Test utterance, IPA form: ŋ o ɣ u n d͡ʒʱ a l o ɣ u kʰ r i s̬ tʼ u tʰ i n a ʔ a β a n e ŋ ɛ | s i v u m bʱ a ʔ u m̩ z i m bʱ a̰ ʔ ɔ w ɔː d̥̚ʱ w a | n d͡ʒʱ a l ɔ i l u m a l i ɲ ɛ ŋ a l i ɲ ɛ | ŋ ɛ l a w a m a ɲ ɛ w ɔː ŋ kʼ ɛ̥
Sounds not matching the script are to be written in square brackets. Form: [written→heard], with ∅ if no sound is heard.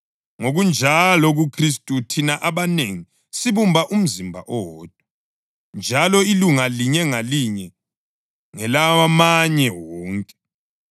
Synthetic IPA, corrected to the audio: ŋ o ɣ u n d͡ʒʱ a l [o→ɔ] ɣ u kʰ r i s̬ tʼ u tʰ i n a ʔ a β a n e ŋ [ɛ→i] | s i [v→β] u m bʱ a ʔ u m̩ z i m bʱ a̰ ʔ ɔ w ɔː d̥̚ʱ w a | n d͡ʒʱ a l ɔ i l u [m→ŋ] a l i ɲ ɛ ŋ a l i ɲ ɛ | ŋ ɛ l a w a m a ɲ ɛ w ɔː ŋ kʼ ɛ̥

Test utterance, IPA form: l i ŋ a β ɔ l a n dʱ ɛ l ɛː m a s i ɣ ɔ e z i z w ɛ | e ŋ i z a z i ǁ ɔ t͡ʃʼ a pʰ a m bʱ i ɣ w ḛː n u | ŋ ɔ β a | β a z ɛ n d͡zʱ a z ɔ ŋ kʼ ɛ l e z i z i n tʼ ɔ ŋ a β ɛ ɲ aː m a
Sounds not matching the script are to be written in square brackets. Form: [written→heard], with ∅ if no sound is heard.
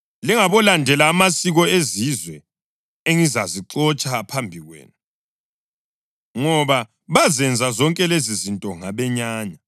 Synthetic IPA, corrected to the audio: l i ŋ a β ɔ l a n dʱ ɛ l [ɛː→aː] m a s i ɣ ɔ e z i z w ɛ | e ŋ i z a z i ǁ ɔ t͡ʃʼ a pʰ a m bʱ i ɣ w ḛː n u | ŋ ɔ β a | β a z ɛ n d͡zʱ a z ɔ ŋ kʼ ɛ l e z i z i n tʼ ɔ ŋ a β ɛ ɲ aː [m→ɲ] a

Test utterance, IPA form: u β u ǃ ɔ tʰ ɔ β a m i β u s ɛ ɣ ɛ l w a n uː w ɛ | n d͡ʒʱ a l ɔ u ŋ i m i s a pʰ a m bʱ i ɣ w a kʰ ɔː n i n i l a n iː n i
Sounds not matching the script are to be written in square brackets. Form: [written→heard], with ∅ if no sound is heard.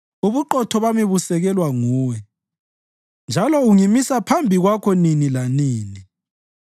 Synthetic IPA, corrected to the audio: u β u ǃ ɔ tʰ ɔ β a m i β u s ɛ ɣ ɛ l w a [n→ŋ] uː w ɛ | n d͡ʒʱ a l ɔ u ŋ i m i s a pʰ a m bʱ i ɣ w a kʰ [ɔː→ɔ] n i n i l a n iː n i

